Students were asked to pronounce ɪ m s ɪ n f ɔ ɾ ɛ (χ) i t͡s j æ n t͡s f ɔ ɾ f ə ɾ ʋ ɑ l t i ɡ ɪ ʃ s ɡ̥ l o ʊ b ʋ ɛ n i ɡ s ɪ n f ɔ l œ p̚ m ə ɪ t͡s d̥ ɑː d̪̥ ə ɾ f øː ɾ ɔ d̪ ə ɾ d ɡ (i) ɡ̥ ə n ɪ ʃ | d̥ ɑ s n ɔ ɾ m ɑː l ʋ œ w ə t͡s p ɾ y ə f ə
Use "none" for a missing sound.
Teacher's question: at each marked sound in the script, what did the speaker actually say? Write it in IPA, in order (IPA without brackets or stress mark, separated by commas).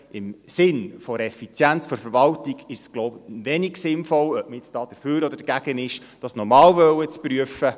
f, æ